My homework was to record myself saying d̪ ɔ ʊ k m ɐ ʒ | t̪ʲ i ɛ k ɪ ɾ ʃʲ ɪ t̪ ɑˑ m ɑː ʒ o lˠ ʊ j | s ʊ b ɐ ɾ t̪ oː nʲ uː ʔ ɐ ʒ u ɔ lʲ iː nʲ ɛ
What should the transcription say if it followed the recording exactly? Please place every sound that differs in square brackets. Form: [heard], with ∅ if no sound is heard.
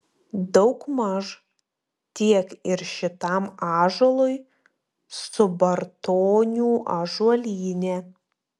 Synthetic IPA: d̪ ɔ ʊ k m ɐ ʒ | t̪ʲ i ɛ k ɪ ɾ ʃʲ ɪ t̪ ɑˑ m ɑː ʒ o lˠ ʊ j | s ʊ b ɐ ɾ t̪ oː nʲ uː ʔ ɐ ʒ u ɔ lʲ iː nʲ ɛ